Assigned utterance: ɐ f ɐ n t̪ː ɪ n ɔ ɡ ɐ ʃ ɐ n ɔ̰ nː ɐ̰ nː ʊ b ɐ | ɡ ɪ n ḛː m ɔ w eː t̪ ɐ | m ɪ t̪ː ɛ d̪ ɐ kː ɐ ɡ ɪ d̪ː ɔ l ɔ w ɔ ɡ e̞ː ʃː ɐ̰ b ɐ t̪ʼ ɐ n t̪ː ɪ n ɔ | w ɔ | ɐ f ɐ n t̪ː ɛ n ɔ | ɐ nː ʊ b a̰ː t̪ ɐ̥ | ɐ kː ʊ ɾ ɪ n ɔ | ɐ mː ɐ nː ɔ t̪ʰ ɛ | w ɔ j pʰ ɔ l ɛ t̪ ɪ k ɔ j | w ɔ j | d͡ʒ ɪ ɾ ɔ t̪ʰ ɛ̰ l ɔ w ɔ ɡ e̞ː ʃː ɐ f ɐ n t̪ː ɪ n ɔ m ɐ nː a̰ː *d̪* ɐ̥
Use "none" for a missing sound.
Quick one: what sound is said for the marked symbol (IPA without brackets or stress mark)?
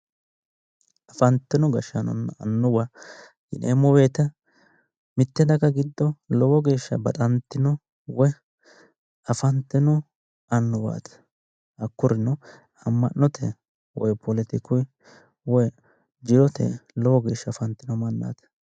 t̪